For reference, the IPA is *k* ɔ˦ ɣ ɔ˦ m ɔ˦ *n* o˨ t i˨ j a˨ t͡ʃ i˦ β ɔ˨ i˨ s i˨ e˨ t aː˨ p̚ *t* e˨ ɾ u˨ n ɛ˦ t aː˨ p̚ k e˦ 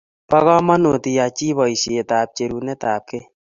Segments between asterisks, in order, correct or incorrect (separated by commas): incorrect, correct, incorrect